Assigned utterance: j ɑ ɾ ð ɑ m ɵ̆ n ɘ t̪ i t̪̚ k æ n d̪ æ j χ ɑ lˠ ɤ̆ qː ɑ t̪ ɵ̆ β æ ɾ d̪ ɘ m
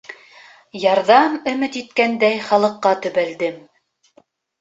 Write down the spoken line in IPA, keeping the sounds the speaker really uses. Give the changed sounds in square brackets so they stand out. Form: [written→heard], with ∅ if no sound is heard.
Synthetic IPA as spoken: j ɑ ɾ ð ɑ m ɵ̆ [n→m] ɘ t̪ i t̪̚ k æ n d̪ æ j χ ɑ lˠ ɤ̆ qː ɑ t̪ ɵ̆ β æ [ɾ→l] d̪ ɘ m